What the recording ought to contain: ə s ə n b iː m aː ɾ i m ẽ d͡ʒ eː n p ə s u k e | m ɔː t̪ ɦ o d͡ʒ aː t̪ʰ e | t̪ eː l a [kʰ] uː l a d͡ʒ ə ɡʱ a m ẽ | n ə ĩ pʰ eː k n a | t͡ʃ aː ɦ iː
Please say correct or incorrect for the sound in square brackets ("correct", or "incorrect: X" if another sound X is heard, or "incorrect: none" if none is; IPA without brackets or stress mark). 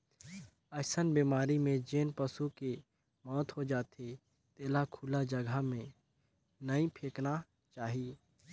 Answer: correct